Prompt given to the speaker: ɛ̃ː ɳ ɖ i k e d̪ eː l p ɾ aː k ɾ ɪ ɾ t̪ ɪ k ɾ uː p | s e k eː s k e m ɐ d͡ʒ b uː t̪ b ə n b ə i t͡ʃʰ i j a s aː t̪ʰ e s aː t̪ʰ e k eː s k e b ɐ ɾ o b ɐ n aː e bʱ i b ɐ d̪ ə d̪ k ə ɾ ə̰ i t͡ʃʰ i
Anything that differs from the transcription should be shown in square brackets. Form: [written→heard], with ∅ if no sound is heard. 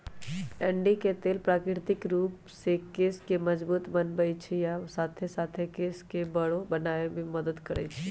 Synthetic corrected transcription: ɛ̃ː ɳ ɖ i k e [d̪→t̪] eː l p ɾ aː k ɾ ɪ ɾ t̪ ɪ k ɾ uː p | s e k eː s k e m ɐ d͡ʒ b uː t̪ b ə n b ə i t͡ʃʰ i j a s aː t̪ʰ e s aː t̪ʰ e k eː s k e b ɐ [ɾ→ɽ] o b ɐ n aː e bʱ i [b→m] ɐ d̪ ə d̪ k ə ɾ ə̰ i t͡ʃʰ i

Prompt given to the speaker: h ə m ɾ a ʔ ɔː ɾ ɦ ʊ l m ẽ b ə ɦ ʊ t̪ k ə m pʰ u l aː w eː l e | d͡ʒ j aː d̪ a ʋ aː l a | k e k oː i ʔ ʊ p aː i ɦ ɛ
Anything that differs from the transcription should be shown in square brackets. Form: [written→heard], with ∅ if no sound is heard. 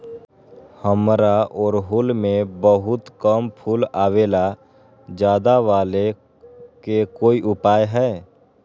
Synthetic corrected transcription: h ə m ɾ a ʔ ɔː ɾ ɦ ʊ l m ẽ b ə ɦ ʊ t̪ k ə m pʰ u l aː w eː l [e→a] | d͡ʒ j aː d̪ a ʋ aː l [a→e] | k e k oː i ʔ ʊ p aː [i→j] ɦ ɛ

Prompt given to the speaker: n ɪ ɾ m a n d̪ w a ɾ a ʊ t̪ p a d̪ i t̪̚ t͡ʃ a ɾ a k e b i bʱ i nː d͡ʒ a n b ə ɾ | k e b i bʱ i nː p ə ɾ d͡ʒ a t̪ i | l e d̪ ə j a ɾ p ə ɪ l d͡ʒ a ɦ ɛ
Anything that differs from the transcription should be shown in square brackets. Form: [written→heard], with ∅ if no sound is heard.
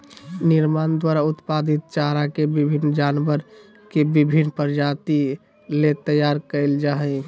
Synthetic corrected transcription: n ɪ ɾ m a n d̪ w a ɾ a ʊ t̪ p a d̪ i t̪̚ t͡ʃ a ɾ a k e b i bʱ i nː d͡ʒ a n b ə ɾ | k e b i bʱ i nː p ə ɾ d͡ʒ a t̪ i | l e [d̪→t̪] ə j a ɾ [p→k] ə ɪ l d͡ʒ a ɦ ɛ

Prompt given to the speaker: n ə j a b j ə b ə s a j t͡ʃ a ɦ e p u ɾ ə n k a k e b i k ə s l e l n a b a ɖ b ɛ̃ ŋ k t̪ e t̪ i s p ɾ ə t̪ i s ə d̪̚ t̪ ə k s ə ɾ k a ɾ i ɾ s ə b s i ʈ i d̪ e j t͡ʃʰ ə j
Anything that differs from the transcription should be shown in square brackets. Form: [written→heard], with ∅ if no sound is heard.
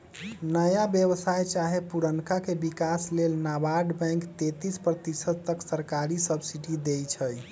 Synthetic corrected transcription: n ə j a b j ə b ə s a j t͡ʃ a ɦ e p u ɾ ə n k a k e b i k [ə→a] s l e l n a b a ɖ b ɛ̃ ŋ k t̪ e t̪ i s p ɾ ə t̪ i s ə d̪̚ t̪ ə k s ə ɾ k a ɾ i [ɾ→∅] s ə b s i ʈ i d̪ e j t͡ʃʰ ə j

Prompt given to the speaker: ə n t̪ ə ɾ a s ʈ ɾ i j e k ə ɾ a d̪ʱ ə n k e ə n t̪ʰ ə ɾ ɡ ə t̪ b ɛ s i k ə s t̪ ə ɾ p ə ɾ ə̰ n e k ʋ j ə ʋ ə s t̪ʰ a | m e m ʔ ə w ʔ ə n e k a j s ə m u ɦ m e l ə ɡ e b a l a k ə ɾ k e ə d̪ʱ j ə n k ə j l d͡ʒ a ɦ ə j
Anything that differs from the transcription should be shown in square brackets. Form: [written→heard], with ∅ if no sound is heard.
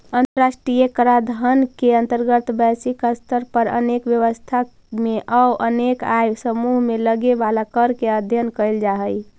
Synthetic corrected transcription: ə n t̪ ə ɾ a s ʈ ɾ i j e k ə ɾ a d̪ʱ ə n k e ə n [t̪ʰ→t̪] ə ɾ ɡ ə t̪ b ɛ s i k ə s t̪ ə ɾ p ə ɾ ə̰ n e k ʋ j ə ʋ ə s t̪ʰ a | m e [m→∅] ʔ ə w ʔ ə n e k a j s ə m u ɦ m e l ə ɡ e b a l a k ə ɾ k e ə d̪ʱ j ə n k ə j l d͡ʒ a ɦ ə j

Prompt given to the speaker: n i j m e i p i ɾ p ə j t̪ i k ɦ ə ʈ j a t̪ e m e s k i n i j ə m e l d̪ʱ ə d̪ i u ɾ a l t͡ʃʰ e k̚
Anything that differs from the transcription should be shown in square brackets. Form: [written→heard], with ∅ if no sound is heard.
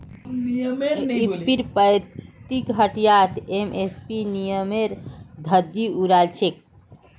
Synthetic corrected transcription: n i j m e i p i ɾ p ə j t̪ i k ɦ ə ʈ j a t̪ e m e s [k→p] i n i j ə m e [l→ɾ] d̪ʱ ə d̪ i u ɾ a l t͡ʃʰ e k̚

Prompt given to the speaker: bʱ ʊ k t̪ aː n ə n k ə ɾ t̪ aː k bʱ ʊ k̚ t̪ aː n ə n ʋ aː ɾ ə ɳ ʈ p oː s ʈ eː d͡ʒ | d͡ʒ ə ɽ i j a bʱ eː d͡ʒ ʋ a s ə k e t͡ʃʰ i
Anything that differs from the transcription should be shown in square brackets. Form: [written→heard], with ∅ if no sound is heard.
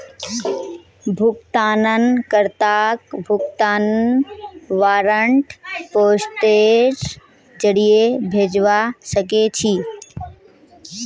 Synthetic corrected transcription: bʱ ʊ k t̪ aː n ə n k ə ɾ t̪ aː k bʱ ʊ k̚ t̪ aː n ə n ʋ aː ɾ ə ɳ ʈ p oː s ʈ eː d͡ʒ | d͡ʒ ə ɽ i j [a→e] bʱ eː d͡ʒ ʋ a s ə k e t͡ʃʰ i

